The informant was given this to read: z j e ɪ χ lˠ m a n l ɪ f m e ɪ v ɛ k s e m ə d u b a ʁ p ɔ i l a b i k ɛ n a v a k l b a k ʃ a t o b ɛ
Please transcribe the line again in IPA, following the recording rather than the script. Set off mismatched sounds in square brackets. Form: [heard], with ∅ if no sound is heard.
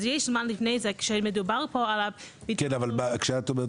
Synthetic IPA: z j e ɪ [ʃ] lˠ m a n l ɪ f [n] e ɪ [z] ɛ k [ʃ] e m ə d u b a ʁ p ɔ [a] l a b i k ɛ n a v a [∅] l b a k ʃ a t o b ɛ